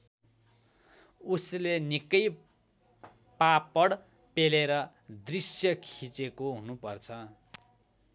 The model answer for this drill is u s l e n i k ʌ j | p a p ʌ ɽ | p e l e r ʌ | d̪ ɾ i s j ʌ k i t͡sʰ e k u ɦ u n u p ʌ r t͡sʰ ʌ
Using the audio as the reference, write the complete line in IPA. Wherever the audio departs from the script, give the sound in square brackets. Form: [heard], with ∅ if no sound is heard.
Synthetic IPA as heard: u s l e n i k ʌ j | p a p ʌ ɽ | p e l e [ɾ] ʌ | d̪ [r] i s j ʌ [kʰ] i [t͡s] e k [o] ɦ u n u p ʌ r t͡sʰ ʌ